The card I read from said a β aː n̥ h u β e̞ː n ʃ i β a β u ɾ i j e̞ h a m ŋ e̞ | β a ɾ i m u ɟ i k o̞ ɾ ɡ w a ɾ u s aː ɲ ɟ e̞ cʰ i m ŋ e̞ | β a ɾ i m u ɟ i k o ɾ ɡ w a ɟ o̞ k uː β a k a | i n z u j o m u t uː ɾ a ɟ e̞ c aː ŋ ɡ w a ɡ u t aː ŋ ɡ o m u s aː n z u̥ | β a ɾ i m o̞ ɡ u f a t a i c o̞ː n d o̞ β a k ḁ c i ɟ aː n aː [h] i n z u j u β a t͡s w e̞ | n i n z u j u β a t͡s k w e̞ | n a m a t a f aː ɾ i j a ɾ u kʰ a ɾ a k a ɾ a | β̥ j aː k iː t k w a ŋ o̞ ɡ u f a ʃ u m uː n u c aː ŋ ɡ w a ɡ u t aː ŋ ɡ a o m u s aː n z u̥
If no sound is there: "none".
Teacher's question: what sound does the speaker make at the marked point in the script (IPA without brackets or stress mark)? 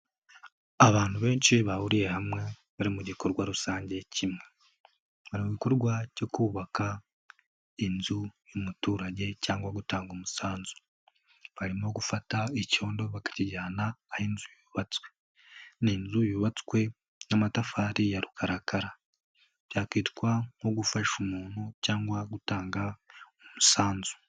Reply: h